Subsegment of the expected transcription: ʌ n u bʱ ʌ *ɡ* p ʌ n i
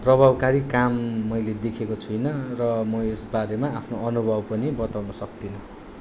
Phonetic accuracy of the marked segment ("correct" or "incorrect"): incorrect